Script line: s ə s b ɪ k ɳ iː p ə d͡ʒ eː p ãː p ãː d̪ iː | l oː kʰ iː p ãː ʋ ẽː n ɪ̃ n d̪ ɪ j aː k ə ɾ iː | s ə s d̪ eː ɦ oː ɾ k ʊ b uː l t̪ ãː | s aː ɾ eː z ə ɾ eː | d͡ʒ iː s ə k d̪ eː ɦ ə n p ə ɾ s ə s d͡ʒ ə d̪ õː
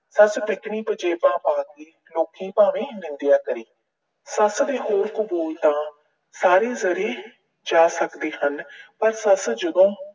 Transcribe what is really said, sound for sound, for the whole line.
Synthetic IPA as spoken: s ə s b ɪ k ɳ iː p ə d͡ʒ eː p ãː p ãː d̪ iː | l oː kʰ iː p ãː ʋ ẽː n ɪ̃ n d̪ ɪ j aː k ə ɾ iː | s ə s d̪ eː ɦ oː ɾ k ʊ b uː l t̪ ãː | s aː ɾ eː z ə ɾ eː | d͡ʒ aː s ə k d̪ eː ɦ ə n p ə ɾ s ə s d͡ʒ ə d̪ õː